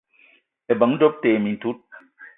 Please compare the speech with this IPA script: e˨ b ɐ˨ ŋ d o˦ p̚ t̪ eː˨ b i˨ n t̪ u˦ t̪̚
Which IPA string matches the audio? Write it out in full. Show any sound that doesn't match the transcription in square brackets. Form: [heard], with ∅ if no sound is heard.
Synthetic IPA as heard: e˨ b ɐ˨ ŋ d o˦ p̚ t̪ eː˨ [m] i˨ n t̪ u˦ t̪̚